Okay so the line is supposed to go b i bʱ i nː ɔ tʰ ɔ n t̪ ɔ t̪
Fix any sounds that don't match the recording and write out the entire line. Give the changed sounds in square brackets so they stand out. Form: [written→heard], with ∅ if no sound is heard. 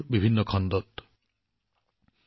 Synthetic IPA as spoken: b i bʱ i nː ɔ [tʰ→kʰ] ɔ n [t̪→d̪] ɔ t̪